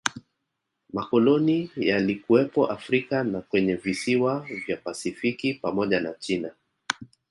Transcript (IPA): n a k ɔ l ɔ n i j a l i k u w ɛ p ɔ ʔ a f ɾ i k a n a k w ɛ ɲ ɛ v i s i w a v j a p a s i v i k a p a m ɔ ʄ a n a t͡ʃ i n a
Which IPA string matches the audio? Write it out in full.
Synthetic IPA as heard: m a k ɔ l ɔ n i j a l i k u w ɛ p ɔ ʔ a f ɾ i k a n a k w ɛ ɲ ɛ v i s i w a v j a p a s i f i k i p a m ɔ ʄ a n a t͡ʃ i n a